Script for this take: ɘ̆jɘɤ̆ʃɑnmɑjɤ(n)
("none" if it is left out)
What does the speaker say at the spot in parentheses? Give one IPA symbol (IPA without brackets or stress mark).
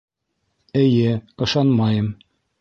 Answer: m